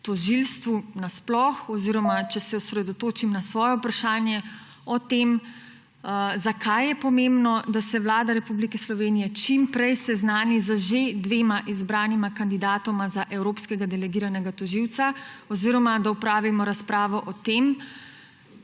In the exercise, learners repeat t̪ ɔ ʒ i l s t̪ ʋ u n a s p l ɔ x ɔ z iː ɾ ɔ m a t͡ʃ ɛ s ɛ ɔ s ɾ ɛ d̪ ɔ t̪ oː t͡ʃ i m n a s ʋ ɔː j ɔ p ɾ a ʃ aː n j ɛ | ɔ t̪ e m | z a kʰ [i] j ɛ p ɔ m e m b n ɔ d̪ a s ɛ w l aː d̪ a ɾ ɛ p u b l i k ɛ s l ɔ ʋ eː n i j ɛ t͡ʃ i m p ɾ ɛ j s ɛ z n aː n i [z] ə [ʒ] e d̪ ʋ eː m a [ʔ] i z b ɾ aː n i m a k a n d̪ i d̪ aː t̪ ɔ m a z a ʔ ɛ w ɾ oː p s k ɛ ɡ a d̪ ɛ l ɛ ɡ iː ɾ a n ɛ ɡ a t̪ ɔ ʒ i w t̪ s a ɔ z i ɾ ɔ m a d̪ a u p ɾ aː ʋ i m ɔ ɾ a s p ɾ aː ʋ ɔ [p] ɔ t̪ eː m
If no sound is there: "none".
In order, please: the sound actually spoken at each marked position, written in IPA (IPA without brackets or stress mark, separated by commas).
a, z, ʒ, ʔ, ʔ